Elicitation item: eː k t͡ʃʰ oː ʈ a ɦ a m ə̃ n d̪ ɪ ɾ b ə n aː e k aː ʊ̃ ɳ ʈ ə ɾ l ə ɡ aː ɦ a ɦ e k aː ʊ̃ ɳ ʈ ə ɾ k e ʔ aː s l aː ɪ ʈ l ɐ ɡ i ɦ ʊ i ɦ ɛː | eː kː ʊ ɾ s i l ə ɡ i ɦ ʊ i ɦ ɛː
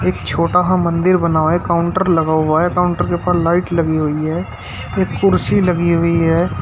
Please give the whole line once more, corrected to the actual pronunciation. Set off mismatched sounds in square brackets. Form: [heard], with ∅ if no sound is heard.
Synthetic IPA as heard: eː k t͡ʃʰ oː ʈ a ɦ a m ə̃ n d̪ ɪ ɾ b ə n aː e k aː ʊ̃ ɳ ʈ ə ɾ l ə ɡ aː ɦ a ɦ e k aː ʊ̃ ɳ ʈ ə ɾ k e [p] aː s l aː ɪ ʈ l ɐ ɡ i ɦ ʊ i ɦ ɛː | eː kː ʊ ɾ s i l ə ɡ i ɦ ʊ i ɦ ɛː